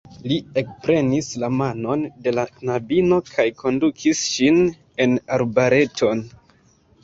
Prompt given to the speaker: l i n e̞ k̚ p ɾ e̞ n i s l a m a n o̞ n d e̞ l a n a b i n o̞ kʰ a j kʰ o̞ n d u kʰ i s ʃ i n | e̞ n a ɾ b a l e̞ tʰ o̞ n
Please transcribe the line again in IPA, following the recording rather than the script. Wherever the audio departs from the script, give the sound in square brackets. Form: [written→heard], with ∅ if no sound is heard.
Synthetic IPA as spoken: l i [n→∅] e̞ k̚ p ɾ e̞ n i s l a m a n o̞ n d e̞ l a n a b i n o̞ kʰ a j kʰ o̞ n d u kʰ i s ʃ i n | e̞ n a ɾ b a [l→ɾ] e̞ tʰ o̞ n